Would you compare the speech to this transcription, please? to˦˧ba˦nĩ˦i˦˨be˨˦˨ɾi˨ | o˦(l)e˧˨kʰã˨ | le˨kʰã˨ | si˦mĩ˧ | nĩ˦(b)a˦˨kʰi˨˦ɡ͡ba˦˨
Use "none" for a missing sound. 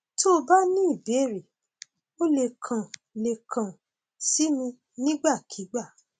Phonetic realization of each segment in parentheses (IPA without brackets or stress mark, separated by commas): l, ɡ͡b